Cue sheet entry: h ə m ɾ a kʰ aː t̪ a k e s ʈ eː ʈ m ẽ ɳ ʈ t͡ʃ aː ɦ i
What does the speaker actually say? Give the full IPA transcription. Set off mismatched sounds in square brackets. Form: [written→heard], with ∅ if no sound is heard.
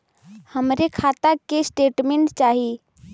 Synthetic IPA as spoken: h ə m ɾ [a→e] kʰ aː t̪ a k e s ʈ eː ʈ m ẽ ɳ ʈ t͡ʃ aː ɦ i